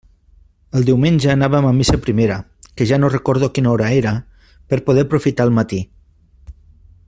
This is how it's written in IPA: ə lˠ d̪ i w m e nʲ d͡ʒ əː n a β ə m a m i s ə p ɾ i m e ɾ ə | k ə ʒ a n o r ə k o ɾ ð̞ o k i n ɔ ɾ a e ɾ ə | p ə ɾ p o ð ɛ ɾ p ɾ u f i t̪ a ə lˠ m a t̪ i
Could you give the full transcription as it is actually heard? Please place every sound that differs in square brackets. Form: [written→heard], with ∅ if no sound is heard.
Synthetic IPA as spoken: ə lˠ d̪ i w m e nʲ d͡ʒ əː n a β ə m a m i s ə p ɾ i m e ɾ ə | k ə ʒ a n o r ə k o ɾ ð̞ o k i n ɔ ɾ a e ɾ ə | p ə ɾ p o ð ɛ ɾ p ɾ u f i t̪ a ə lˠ m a t̪ i